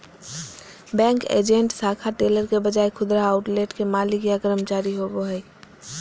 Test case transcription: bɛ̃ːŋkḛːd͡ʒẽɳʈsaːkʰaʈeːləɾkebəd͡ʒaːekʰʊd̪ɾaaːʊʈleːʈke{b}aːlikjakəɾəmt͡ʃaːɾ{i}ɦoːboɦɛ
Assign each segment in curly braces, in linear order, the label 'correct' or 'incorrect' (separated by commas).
incorrect, correct